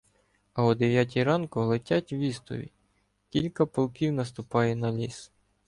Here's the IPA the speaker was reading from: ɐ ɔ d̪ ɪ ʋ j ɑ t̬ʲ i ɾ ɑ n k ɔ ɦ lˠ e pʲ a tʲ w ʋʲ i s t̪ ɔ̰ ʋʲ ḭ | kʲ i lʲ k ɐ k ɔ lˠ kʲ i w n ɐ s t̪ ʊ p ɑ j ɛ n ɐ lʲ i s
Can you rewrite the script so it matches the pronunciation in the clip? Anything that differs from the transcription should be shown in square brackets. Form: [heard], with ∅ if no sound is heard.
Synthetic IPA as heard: ɐ ɔ d̪ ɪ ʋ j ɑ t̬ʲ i ɾ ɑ n k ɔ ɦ lˠ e [tʲ] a tʲ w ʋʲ i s t̪ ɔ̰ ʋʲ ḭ | kʲ i lʲ k ɐ [p] ɔ lˠ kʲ i w n ɐ s t̪ ʊ p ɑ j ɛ n ɐ lʲ i s